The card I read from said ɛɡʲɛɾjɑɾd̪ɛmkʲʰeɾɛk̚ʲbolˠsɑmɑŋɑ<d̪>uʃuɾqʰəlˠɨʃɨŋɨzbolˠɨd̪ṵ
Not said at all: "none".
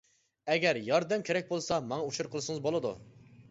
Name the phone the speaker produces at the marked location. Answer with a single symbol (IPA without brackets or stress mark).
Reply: none